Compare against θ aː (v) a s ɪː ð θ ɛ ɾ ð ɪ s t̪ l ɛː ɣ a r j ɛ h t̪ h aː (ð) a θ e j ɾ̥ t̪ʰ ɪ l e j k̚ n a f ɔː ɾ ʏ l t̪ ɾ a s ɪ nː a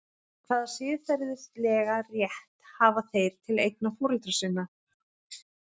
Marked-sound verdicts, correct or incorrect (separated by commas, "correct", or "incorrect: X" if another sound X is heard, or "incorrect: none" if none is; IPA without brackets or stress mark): incorrect: ð, incorrect: v